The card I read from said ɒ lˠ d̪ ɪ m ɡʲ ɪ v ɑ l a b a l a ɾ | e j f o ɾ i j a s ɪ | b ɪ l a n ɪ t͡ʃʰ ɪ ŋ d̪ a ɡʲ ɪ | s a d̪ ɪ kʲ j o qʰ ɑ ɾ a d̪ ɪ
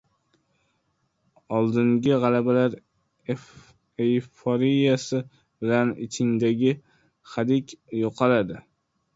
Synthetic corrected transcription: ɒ lˠ d̪ ɪ ŋ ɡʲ ɪ ʁ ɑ l a b a l a ɾ | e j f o ɾ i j a s ɪ | b ɪ l a n ɪ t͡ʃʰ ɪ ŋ d̪ a ɡʲ ɪ | χ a d̪ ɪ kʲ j o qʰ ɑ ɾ a d̪ ɪ

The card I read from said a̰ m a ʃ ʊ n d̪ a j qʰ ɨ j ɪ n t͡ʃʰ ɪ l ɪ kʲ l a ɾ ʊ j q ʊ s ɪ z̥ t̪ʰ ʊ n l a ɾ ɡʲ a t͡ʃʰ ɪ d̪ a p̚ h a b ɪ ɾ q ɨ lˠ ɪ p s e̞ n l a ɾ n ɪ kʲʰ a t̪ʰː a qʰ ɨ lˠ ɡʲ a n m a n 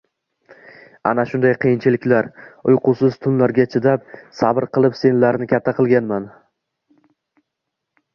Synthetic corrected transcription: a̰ n a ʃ ʊ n d̪ a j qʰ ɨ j ɪ n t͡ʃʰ ɪ l ɪ kʲ l a ɾ ʊ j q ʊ s ɪ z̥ t̪ʰ ʊ n l a ɾ ɡʲ a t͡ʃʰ ɪ d̪ a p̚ s a b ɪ ɾ q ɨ lˠ ɪ p s e̞ n l a ɾ n ɪ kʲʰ a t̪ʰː a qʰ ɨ lˠ ɡʲ a n m a n

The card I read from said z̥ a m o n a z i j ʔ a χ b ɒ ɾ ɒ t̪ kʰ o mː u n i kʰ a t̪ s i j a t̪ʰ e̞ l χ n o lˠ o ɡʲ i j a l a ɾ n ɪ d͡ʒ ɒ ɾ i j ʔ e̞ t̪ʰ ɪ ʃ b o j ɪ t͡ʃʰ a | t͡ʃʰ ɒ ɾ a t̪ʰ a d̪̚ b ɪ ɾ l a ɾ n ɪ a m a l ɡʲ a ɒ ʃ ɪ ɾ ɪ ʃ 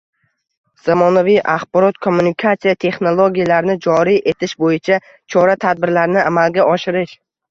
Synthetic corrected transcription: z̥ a m ɒ n a v i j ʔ a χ b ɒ ɾ ɒ t̪ kʰ o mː u n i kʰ a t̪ s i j a t̪ʰ e̞ χ n o lˠ o ɡʲ i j a l a ɾ n ɪ d͡ʒ ɒ ɾ i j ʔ e̞ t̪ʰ ɪ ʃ b o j ɪ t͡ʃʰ a | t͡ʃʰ ɒ ɾ a t̪ʰ a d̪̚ b ɪ ɾ l a ɾ n ɪ a m a l ɡʲ a ɒ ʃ ɪ ɾ ɪ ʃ

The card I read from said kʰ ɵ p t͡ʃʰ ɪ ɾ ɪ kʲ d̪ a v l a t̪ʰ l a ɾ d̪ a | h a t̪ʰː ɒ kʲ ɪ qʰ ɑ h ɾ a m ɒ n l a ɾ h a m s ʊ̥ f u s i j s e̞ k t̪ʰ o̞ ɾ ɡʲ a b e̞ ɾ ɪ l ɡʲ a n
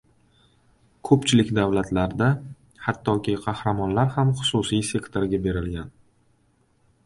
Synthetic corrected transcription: kʰ ɵ p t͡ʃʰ ɪ l ɪ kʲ d̪ a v l a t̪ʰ l a ɾ d̪ a | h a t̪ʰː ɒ kʲ ɪ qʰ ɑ h ɾ a m ɒ n l a ɾ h a m χ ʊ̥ s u s i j s e̞ k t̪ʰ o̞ ɾ ɡʲ a b e̞ ɾ ɪ l ɡʲ a n

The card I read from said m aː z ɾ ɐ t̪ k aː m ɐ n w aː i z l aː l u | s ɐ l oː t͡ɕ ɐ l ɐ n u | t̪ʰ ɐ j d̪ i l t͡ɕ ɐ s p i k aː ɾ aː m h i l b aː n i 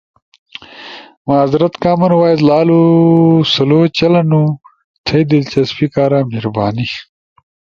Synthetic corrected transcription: m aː z ɾ ɐ t̪ k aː m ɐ n w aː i z l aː l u | s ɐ l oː t͡ɕ ɐ l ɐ n u | t̪ʰ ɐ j d̪ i l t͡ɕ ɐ s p i k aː ɾ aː m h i ɾ b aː n i

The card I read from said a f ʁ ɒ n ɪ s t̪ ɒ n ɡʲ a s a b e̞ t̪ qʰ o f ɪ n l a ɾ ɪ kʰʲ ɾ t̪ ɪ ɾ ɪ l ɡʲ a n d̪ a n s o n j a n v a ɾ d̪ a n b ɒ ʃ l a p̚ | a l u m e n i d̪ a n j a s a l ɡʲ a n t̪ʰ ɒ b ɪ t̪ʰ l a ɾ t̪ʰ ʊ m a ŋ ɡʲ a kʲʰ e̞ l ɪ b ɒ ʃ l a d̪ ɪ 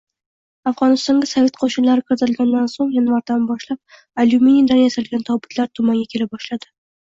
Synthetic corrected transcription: a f ʁ ɒ n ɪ s t̪ ɒ ŋ ɡʲ a s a v e̞ t̪ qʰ o ʃ ɪ n l a ɾ ɪ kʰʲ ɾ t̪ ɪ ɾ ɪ l ɡʲ a n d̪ a n s o ŋ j a n v a ɾ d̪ a n b ɒ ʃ l a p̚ | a l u m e n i d̪ a n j a s a l ɡʲ a n t̪ʰ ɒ b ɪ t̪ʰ l a ɾ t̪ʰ ʊ m a ŋ ɡʲ a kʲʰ e̞ l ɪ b ɒ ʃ l a d̪ ɪ

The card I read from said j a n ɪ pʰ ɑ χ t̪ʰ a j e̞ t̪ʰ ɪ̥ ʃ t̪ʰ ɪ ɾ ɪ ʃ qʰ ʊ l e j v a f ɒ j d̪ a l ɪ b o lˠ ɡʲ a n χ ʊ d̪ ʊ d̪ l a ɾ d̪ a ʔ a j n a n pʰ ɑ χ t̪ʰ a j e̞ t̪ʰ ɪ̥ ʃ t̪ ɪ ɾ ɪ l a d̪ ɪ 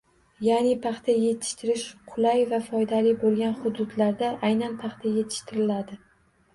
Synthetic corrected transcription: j a n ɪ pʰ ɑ χ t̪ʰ a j e̞ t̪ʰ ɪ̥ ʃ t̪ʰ ɪ ɾ ɪ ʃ qʰ ʊ l a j v a f ɒ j d̪ a l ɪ b o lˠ ɡʲ a n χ ʊ d̪ ʊ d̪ l a ɾ d̪ a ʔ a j n a n pʰ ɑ χ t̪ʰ a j e̞ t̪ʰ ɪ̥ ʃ t̪ ɪ ɾ ɪ l a d̪ ɪ

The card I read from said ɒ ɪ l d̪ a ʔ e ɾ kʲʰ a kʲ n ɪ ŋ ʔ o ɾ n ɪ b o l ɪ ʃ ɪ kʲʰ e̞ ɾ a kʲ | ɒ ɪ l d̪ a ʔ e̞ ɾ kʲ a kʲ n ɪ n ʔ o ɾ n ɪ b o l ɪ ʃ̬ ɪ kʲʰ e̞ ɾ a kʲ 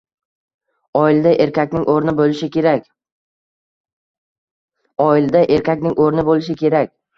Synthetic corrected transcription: ɒ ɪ l d̪ a ʔ e ɾ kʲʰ a kʲ n ɪ ŋ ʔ o ɾ n ɪ b o l ɪ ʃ ɪ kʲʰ e̞ ɾ a kʲ | ɒ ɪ l d̪ a ʔ e̞ ɾ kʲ a kʲ n ɪ ŋ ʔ o ɾ n ɪ b o l ɪ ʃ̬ ɪ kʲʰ e̞ ɾ a kʲ

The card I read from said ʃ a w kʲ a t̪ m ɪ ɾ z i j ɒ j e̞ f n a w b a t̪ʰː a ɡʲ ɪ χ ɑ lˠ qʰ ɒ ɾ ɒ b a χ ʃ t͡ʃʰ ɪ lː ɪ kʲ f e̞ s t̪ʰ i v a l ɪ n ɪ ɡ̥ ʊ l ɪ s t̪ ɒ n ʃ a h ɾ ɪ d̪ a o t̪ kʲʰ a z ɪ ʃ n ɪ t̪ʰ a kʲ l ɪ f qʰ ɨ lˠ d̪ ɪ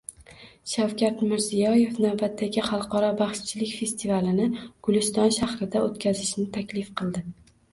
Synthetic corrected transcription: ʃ a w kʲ a t̪ m ɪ ɾ z i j ɒ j e̞ f n a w b a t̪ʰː a ɡʲ ɪ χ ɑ lˠ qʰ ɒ ɾ ɒ b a χ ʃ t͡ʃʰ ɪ l ɪ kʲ f e̞ s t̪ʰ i v a l ɪ n ɪ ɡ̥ ʊ l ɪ s t̪ ɒ n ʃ a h ɾ ɪ d̪ a o t̪ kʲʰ a z ɪ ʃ n ɪ t̪ʰ a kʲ l ɪ f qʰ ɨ lˠ d̪ ɪ

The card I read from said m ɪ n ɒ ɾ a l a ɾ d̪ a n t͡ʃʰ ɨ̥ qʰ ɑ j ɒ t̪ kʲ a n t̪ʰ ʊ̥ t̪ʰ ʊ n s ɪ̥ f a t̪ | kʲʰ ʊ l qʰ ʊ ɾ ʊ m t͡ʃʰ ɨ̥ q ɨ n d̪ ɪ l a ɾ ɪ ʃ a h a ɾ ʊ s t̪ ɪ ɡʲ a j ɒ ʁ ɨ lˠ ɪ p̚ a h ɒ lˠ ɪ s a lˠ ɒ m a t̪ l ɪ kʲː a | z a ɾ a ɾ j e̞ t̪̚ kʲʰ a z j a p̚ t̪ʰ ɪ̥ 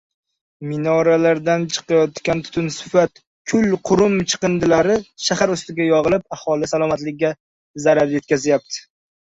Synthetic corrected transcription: m ɪ n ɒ ɾ a l a ɾ d̪ a n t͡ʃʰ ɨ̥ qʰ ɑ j ɒ t̪ kʲ a n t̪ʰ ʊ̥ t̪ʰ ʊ n s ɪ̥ f a t̪ | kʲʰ ʊ l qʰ ʊ ɾ ʊ m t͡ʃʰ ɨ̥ q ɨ n d̪ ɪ l a ɾ ɪ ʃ a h a ɾ ʊ s t̪ ɪ ɡʲ a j ɒ ʁ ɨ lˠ ɪ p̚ a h ɒ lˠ ɪ s a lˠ ɒ m a t̪ l ɪ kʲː a | z a ɾ a ɾ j e̞ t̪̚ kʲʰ a z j a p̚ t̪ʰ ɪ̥

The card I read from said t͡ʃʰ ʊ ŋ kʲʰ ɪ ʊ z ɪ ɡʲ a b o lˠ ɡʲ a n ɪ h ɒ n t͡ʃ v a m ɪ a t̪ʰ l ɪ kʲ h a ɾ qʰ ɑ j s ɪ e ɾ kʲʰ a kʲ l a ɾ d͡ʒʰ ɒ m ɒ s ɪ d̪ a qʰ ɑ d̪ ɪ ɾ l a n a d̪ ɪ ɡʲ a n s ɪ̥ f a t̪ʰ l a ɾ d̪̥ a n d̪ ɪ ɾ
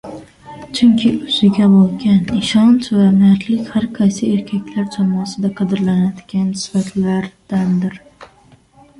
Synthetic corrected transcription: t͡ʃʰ ʊ ŋ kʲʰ ɪ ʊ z ɪ ɡʲ a b o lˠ ɡʲ a n ɪ ʃ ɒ n t͡ʃ v a m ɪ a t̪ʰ l ɪ kʲ h a ɾ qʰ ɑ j s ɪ e ɾ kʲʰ a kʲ l a ɾ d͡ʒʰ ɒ m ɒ s ɪ d̪ a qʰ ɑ d̪ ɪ ɾ l a n a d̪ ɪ ɡʲ a n s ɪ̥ f a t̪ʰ l a ɾ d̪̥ a n d̪ ɪ ɾ

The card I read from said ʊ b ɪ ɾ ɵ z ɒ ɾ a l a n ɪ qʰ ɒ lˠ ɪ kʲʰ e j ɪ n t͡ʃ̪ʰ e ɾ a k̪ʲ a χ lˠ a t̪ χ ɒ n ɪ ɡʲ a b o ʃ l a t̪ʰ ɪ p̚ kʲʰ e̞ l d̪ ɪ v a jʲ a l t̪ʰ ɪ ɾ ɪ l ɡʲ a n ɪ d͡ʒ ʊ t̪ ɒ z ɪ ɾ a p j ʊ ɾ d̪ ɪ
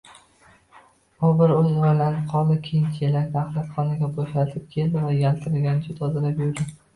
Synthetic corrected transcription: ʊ b ɪ ɾ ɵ z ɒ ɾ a l a n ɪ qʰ ɒ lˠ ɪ kʲʰ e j ɪ n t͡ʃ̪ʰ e l a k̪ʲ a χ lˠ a t̪ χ ɒ n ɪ ɡʲ a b o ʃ l a t̪ʰ ɪ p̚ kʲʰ e̞ l d̪ ɪ v a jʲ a l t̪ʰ ɪ ɾ ɪ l ɡʲ a n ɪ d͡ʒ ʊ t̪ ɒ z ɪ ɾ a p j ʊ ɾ d̪ ɪ

